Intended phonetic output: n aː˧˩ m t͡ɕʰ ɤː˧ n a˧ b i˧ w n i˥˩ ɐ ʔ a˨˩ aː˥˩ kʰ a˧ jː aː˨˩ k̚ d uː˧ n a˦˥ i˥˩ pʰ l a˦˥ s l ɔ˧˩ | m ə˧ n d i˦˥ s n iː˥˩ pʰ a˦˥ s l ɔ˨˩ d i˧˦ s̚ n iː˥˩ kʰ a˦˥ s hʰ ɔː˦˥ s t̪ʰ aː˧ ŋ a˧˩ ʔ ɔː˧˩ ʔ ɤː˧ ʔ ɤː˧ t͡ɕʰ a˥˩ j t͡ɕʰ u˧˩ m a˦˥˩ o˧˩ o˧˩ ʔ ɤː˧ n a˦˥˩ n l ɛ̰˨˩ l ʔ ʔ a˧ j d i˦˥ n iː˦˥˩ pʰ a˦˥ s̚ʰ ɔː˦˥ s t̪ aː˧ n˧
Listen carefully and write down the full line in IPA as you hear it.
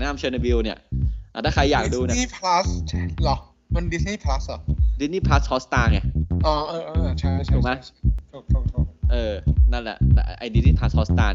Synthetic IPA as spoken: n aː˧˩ m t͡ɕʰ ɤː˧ n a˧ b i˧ w n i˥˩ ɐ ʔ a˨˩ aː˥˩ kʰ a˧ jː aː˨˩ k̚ d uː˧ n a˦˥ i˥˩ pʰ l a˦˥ s l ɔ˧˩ | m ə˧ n d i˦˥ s n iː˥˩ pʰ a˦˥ s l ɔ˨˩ d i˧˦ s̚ n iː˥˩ pʰ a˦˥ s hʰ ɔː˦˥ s t̪ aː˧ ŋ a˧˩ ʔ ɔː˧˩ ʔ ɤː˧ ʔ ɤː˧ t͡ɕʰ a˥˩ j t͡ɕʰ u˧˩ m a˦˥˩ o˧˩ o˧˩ ʔ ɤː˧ n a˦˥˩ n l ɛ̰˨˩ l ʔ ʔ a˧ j d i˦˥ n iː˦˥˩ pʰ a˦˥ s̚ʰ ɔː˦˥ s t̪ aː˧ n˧